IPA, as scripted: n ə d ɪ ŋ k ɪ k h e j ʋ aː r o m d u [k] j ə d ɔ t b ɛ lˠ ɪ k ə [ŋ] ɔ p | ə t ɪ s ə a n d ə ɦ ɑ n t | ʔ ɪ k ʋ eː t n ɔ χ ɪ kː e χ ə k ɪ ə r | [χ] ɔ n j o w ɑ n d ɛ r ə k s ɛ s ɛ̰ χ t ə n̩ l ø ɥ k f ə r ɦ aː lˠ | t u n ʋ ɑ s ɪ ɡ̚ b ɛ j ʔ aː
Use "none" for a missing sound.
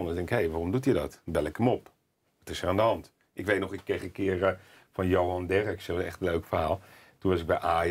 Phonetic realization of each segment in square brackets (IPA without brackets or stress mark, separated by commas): t, m, f